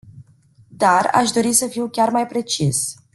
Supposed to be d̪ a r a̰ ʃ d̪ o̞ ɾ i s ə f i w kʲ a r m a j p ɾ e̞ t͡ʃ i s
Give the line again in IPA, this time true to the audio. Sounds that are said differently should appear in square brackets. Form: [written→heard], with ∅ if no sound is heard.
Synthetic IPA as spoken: d̪ a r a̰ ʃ d̪ o̞ ɾ i s ə f i w kʲ a r m a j p ɾ e̞ t͡ʃ i s